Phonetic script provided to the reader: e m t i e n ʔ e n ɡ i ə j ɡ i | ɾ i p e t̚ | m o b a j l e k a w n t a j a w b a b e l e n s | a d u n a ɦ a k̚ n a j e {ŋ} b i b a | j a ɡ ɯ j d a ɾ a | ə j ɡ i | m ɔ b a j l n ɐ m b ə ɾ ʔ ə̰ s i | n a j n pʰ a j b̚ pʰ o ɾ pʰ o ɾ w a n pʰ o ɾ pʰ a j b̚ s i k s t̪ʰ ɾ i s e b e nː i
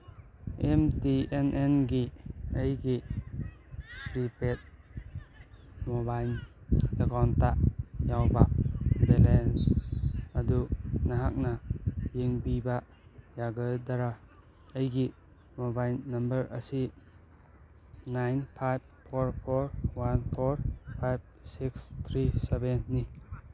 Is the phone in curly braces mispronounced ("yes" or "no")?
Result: no